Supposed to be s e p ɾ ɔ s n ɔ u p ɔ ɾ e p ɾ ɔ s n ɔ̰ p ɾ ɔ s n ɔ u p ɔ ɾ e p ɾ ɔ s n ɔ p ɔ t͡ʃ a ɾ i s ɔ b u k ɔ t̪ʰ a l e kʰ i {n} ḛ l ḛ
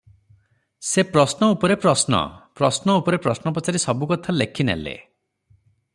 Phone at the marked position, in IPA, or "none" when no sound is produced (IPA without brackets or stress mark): n